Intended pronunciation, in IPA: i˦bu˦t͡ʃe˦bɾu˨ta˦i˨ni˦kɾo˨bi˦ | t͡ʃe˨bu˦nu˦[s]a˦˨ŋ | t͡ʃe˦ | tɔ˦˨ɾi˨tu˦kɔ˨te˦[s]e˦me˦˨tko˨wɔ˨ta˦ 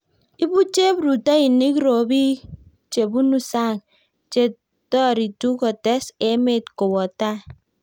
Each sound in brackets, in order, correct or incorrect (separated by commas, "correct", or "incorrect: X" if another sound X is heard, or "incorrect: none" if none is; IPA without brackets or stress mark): correct, correct